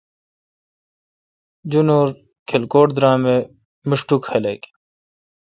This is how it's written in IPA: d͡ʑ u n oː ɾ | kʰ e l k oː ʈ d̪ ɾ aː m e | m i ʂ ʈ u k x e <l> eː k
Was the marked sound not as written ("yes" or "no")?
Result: no